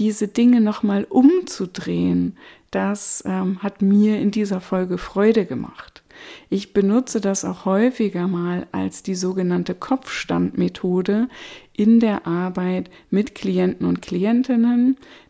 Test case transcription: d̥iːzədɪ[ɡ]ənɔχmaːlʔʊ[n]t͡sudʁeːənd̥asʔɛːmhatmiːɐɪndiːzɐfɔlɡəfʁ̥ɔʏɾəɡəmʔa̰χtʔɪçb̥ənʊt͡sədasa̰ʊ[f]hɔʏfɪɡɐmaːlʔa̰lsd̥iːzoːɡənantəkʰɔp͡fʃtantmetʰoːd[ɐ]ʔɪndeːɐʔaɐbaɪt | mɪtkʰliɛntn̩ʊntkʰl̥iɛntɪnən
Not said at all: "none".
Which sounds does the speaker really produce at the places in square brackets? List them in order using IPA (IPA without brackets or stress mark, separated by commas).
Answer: ŋ, m, x, ə